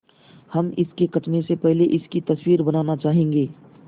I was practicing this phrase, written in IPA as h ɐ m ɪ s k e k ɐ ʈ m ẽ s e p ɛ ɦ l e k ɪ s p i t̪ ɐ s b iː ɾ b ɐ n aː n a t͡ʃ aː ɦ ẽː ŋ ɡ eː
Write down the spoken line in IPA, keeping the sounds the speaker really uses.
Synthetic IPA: h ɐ m ɪ s k e k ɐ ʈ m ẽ s e p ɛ ɦ l e ʔ ɪ s k i t̪ ɐ s w iː ɾ b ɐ n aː n a t͡ʃ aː ɦ ẽː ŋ ɡ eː